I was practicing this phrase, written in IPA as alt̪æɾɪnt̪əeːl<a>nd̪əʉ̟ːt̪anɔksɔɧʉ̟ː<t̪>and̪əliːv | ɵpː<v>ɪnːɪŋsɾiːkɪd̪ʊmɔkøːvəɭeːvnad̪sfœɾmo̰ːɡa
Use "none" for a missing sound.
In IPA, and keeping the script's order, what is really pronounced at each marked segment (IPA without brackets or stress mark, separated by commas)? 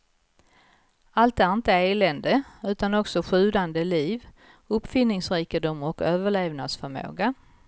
ɛ, d̪, f